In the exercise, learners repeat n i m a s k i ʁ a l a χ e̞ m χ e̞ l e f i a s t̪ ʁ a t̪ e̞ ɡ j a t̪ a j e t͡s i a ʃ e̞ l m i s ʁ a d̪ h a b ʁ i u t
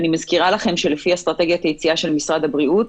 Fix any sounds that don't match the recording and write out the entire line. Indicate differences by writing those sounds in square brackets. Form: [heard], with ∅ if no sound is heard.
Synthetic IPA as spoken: n i m a [z] k i ʁ a l a χ e̞ m [ʃ] e̞ l e f i a s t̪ ʁ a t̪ e̞ ɡ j a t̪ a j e t͡s i a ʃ e̞ l m i s ʁ a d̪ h a b ʁ i u t